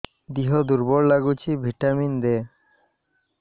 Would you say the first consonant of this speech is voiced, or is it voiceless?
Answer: voiced